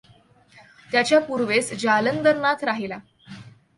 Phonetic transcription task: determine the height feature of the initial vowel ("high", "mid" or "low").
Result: low